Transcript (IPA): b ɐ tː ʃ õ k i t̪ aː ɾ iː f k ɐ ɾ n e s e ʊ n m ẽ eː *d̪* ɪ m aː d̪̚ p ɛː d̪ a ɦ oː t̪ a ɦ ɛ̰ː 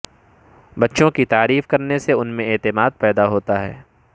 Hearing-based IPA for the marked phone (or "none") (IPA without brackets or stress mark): t̪